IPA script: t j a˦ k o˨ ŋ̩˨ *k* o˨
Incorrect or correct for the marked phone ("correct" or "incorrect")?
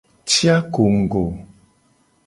incorrect